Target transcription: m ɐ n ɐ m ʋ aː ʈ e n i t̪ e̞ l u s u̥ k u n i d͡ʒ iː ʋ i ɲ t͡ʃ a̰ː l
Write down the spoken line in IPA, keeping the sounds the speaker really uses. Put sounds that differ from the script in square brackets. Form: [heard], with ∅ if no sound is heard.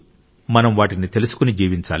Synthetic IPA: m ɐ n ɐ m ʋ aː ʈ [i] n i t̪ e̞ l u s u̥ k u n i d͡ʒ iː ʋ i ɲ t͡ʃ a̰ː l